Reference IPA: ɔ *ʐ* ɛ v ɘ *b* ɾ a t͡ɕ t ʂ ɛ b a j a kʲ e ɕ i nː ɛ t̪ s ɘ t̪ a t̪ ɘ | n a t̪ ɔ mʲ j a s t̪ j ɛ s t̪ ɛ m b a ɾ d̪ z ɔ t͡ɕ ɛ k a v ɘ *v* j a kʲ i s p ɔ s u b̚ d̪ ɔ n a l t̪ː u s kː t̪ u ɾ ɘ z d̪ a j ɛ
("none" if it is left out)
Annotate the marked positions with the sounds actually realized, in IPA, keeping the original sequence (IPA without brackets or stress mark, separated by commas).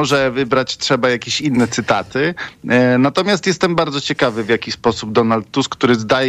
ʐ, b, v